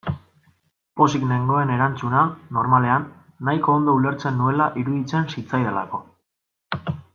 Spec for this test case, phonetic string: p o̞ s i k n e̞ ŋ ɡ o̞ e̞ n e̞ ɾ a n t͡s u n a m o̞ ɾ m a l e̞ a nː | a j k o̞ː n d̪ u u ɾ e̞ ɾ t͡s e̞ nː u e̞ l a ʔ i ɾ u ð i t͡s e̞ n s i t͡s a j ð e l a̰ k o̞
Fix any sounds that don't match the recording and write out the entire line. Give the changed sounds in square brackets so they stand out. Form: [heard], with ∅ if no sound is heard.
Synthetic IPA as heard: p o̞ s i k n e̞ ŋ ɡ o̞ e̞ n e̞ ɾ a n t͡s u n a [n] o̞ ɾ m a l e̞ a nː | a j k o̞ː n d̪ [o] u [l] e̞ ɾ t͡s e̞ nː u e̞ l a ʔ i ɾ u ð i t͡s e̞ n s i t͡s a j ð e l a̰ k o̞